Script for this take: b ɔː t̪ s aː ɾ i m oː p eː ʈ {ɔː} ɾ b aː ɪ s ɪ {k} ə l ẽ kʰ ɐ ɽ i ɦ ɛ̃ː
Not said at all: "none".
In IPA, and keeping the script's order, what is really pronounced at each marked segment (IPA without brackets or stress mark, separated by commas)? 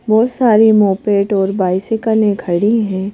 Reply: ɔː, k